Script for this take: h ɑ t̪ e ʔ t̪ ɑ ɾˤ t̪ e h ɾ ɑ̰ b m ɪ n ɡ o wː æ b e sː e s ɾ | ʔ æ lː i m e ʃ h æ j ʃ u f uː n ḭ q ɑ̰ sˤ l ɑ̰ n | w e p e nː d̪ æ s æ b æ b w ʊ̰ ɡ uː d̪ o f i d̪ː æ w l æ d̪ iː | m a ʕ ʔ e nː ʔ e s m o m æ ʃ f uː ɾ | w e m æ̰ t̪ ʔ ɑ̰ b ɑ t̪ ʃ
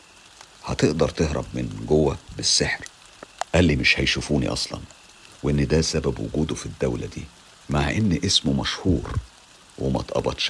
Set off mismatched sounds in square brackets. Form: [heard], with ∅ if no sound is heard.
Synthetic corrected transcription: h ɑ t̪ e ʔ [d̪] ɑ ɾˤ t̪ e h ɾ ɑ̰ b m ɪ n ɡ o wː æ b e sː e [ħ] ɾ | ʔ æ lː i m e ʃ h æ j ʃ u f uː n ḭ [ʔ] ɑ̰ sˤ l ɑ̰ n | w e [ʔ] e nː d̪ æ s æ b æ b w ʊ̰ ɡ uː d̪ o f i d̪ː æ w l æ d̪ iː | m a ʕ ʔ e nː ʔ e s m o m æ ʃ [h] uː ɾ | w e m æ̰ t̪ ʔ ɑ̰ b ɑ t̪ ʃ